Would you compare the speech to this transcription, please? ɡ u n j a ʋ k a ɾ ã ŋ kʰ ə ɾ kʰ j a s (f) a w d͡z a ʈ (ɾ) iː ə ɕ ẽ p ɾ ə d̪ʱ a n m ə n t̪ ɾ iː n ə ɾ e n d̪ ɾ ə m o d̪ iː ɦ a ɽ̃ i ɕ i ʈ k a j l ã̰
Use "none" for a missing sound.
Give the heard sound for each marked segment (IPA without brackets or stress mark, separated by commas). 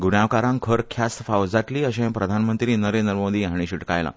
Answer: f, l